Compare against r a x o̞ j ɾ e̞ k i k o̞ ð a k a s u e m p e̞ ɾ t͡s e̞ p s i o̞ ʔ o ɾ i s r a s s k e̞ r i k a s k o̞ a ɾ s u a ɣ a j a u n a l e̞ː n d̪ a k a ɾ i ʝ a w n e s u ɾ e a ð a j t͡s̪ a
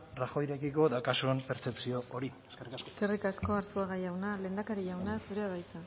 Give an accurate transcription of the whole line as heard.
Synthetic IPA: r a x o̞ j ɾ e̞ k i k o̞ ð a k a s u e m p e̞ ɾ t͡s e̞ p s i o̞ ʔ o ɾ i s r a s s k e̞ r i k a s k o̞ a ɾ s u a ɣ a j a w n a l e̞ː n d̪ a k a ɾ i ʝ a w n a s u ɾ e a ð a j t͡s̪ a